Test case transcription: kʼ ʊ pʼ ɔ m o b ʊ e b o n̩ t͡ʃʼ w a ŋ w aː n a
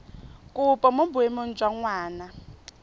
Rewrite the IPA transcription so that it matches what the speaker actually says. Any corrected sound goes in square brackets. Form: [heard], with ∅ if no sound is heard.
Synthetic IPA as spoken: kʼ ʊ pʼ ɔ m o b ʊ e [m] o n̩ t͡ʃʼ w a ŋ w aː n a